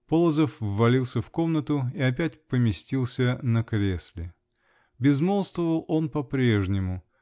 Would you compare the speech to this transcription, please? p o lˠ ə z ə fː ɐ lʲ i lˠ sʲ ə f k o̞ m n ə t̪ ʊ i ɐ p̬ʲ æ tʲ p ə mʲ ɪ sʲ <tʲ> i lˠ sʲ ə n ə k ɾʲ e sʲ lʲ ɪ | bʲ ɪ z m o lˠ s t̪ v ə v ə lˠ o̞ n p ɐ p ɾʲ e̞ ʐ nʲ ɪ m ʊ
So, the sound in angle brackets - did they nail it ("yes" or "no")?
yes